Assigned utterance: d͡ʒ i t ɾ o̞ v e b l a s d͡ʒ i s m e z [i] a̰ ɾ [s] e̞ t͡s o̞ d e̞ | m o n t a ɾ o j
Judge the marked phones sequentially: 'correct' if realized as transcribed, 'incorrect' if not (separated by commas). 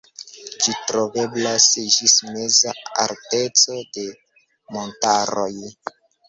incorrect, incorrect